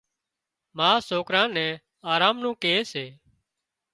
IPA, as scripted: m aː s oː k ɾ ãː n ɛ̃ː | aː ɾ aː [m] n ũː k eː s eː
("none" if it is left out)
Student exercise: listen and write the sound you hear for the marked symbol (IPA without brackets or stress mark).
m